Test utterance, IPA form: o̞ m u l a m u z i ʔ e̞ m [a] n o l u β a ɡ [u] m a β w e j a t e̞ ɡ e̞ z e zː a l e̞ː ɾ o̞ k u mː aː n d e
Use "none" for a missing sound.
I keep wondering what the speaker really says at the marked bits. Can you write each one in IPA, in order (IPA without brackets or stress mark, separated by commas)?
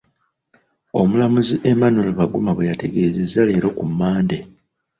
a, u